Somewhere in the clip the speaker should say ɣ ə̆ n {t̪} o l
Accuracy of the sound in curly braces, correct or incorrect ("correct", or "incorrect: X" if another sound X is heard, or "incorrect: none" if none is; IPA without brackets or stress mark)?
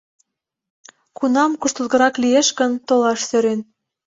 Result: correct